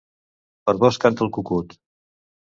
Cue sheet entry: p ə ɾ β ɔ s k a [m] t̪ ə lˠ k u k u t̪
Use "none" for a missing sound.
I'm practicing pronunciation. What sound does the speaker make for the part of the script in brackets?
n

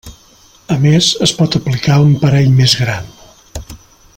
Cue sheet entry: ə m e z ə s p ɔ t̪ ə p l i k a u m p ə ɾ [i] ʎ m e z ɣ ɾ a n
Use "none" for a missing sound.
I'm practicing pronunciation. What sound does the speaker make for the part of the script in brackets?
ɛ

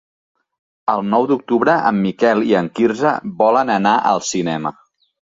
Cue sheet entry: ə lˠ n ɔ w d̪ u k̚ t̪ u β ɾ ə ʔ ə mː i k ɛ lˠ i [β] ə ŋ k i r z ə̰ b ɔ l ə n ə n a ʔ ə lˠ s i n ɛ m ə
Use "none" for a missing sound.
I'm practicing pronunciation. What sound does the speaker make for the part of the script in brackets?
none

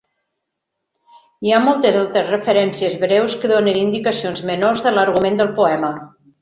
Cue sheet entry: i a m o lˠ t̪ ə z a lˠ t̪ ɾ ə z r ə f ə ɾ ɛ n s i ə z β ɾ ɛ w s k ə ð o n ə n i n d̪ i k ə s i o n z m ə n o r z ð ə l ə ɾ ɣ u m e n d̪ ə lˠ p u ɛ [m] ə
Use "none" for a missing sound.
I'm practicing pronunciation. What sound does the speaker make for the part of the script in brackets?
m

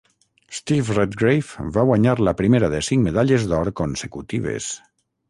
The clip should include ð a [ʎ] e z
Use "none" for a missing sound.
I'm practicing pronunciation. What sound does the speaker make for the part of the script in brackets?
ʎ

